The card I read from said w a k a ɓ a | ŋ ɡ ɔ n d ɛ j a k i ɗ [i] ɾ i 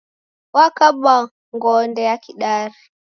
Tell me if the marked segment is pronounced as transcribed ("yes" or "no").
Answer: no